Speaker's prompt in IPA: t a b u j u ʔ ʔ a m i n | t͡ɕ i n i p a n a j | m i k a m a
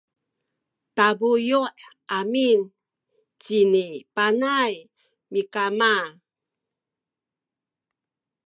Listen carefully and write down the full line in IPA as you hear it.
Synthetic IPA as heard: t a b u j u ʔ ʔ a m i n | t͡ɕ i n i p a n a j | m i k a m a